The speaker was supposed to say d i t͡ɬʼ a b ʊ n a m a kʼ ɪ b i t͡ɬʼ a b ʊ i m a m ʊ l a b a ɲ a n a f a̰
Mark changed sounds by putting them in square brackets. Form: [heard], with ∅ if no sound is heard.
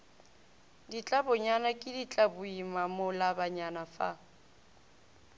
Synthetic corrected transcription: d i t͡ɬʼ a b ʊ [ɲ] a [n] a kʼ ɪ [d] i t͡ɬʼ a b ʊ i m a m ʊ l a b a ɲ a n a f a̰